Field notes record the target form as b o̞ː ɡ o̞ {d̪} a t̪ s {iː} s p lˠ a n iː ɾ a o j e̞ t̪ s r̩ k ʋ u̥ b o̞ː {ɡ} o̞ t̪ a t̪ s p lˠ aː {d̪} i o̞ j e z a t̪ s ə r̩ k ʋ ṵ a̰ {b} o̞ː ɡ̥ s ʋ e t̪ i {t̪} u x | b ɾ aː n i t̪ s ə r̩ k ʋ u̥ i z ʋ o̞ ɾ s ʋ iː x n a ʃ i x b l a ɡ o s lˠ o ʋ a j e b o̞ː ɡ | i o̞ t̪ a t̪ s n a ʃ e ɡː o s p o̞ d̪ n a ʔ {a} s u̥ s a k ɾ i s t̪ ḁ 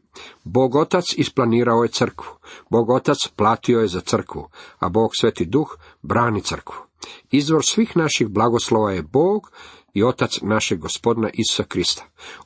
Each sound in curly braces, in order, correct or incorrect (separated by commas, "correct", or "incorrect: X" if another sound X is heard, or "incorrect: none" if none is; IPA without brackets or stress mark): incorrect: t̪, incorrect: i, correct, incorrect: t̪, correct, incorrect: d̪, incorrect: i